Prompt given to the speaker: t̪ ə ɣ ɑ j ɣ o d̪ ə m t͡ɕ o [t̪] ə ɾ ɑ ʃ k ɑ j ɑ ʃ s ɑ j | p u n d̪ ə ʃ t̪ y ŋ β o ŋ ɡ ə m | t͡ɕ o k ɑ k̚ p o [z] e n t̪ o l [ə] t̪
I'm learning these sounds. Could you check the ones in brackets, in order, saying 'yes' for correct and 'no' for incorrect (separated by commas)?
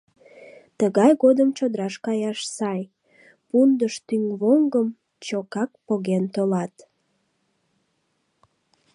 no, no, no